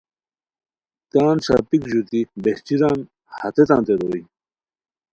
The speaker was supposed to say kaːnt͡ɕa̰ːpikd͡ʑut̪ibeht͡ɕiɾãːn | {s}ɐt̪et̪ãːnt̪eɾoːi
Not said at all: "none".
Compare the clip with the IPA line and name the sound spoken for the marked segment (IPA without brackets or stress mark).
h